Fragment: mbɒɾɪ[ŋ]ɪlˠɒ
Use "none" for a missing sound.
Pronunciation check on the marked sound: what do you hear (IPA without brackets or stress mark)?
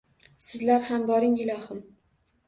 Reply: ŋ